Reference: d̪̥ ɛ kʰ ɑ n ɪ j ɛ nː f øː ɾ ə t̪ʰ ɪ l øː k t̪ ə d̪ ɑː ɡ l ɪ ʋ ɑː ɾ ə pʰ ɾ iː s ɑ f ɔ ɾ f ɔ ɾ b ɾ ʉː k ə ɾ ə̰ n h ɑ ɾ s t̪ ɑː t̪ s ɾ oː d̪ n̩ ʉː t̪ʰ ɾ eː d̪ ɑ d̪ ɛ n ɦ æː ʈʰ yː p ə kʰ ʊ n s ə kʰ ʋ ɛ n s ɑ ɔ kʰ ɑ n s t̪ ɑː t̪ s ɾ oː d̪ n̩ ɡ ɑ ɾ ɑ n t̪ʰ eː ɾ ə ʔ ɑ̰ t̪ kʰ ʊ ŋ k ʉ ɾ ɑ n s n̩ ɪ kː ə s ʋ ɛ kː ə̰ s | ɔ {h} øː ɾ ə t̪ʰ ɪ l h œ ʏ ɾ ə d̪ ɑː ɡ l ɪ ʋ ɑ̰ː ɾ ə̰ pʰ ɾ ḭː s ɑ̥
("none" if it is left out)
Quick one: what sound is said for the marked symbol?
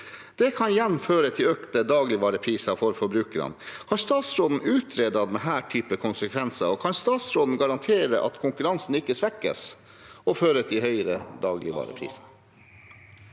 f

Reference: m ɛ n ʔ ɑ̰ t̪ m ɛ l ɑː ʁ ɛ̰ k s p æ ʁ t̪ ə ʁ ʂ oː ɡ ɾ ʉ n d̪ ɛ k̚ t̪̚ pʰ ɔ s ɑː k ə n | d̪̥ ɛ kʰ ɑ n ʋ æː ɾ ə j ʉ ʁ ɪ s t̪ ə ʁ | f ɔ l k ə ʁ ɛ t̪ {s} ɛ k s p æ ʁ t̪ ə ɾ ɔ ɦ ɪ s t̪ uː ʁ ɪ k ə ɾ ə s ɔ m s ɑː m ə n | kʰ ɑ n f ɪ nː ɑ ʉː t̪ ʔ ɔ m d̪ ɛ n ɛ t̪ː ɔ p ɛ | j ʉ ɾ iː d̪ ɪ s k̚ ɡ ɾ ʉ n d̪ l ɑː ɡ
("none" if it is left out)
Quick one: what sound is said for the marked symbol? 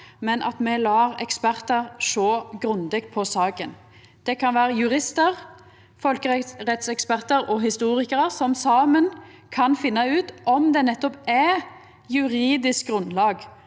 s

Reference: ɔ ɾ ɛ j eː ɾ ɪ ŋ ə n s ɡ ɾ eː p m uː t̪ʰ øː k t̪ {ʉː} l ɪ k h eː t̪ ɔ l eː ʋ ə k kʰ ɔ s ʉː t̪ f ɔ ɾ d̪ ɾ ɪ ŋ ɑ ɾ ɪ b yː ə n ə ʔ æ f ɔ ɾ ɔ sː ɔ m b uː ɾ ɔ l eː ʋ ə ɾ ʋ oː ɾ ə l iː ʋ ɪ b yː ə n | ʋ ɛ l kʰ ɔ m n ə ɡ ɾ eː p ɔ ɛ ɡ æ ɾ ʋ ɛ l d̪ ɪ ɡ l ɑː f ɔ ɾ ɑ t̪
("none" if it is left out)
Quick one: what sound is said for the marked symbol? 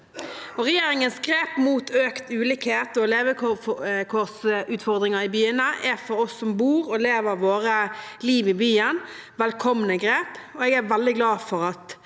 ʉː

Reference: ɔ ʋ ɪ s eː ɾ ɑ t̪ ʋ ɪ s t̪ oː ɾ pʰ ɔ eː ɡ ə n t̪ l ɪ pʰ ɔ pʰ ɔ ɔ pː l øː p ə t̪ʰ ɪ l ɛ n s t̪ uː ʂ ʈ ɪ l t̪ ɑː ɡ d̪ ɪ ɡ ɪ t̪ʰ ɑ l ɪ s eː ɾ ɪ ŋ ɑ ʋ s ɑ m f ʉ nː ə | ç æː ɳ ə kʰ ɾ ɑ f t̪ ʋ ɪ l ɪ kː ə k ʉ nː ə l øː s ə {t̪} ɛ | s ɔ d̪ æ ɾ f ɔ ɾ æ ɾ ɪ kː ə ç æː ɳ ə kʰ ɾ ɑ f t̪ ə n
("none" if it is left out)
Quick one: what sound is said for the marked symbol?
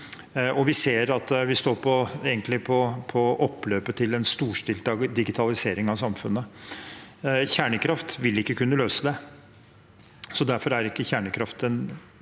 d̪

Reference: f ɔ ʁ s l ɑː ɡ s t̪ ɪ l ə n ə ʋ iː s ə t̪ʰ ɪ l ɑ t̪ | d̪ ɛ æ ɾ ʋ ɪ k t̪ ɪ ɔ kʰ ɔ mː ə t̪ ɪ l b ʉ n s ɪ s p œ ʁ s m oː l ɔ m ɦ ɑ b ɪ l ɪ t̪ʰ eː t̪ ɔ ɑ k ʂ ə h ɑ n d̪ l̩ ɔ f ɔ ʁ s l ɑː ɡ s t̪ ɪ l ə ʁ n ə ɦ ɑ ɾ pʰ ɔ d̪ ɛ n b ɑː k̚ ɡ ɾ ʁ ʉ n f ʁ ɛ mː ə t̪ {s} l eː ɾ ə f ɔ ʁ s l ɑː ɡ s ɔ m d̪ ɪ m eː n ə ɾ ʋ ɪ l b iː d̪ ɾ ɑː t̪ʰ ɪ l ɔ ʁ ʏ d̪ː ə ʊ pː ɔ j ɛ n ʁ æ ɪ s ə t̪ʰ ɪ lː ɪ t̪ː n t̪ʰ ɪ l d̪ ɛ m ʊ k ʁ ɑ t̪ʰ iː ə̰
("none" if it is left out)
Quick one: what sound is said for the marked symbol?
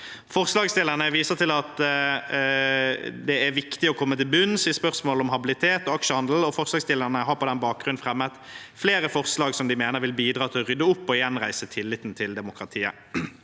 f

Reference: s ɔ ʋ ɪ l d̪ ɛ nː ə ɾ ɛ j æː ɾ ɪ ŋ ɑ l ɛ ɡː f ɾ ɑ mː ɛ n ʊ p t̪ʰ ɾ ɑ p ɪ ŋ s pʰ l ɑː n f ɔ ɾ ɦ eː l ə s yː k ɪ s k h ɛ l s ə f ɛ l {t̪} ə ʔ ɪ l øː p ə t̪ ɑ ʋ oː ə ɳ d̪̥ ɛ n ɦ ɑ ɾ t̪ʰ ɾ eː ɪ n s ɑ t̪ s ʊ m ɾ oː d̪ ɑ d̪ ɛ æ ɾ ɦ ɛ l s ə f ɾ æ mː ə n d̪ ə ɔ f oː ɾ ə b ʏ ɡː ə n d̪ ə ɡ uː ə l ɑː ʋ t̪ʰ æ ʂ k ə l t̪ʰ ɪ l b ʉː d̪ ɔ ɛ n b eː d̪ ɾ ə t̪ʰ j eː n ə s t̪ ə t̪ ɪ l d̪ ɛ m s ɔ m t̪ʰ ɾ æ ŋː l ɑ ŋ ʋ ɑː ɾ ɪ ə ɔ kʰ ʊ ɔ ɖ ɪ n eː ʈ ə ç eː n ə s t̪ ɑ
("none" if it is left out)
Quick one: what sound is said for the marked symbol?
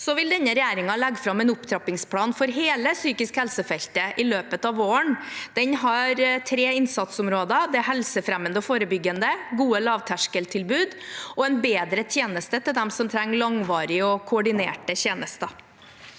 t̪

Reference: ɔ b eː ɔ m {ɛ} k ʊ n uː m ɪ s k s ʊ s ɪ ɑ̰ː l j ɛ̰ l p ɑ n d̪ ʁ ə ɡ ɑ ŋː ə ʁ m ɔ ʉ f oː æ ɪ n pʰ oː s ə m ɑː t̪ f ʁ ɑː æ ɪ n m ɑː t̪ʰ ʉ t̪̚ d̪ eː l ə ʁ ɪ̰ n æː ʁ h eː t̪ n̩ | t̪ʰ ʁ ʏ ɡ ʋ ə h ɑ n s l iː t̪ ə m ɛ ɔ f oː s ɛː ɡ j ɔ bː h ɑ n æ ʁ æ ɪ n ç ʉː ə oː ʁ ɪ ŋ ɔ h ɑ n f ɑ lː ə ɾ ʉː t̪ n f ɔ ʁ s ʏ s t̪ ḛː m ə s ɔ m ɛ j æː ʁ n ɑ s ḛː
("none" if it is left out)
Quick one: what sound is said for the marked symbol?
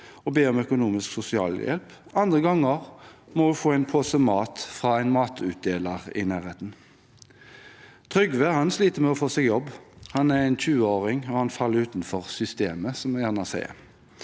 œ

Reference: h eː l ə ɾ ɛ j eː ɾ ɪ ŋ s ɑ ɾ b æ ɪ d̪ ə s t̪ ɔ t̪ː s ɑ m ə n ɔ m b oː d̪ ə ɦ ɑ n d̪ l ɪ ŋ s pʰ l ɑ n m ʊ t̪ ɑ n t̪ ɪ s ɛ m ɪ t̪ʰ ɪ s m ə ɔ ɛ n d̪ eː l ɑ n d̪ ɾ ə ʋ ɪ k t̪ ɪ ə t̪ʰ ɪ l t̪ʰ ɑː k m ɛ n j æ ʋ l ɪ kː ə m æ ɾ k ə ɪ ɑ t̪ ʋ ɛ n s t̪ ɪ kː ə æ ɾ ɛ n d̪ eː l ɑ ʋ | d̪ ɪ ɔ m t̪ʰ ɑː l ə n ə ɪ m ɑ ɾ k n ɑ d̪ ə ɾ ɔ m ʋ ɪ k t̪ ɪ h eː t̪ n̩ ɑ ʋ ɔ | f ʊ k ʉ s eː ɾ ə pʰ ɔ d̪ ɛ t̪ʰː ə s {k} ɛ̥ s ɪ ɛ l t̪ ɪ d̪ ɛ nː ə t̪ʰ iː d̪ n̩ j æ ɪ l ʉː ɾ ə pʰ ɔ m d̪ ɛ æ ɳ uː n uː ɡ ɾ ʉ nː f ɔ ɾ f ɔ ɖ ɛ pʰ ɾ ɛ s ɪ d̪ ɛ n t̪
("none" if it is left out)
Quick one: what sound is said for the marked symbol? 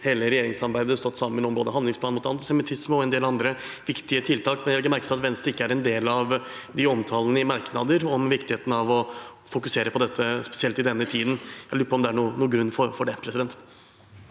p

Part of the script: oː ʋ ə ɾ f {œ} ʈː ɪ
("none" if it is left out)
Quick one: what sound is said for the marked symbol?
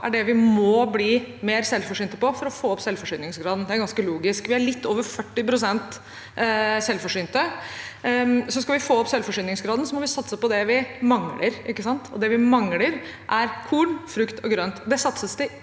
œ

